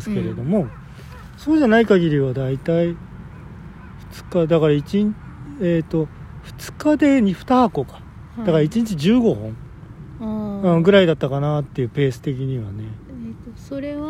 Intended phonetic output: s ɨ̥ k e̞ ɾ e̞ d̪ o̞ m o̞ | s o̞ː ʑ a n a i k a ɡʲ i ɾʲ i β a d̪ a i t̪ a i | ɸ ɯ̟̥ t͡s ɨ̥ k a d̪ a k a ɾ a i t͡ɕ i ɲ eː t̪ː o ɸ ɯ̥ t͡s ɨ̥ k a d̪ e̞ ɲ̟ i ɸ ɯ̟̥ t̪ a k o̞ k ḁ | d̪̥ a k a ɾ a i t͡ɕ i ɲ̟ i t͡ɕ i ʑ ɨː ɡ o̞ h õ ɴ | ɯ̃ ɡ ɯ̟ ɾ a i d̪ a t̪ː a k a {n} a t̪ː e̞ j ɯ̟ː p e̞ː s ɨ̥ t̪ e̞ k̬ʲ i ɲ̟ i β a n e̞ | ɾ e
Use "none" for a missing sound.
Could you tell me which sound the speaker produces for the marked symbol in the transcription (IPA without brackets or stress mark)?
n